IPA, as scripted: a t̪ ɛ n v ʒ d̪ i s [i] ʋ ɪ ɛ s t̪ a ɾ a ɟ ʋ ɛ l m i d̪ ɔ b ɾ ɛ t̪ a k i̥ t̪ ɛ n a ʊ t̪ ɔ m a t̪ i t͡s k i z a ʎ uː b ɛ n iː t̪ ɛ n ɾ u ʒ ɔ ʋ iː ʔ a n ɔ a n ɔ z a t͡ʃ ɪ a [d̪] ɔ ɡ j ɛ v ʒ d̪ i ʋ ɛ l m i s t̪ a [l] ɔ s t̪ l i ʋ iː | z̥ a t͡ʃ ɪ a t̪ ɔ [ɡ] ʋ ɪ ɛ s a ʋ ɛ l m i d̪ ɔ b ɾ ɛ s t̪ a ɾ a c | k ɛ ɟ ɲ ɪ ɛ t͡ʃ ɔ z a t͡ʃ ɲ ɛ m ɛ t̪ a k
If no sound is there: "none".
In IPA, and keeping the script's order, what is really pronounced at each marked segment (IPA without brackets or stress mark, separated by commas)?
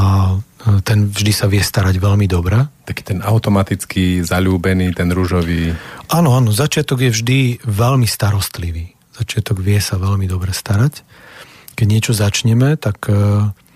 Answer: a, t̪, ɾ, ɡ